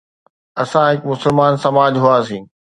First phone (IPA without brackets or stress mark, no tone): ɐ